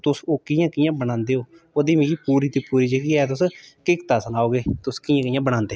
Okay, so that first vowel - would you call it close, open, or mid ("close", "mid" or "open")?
close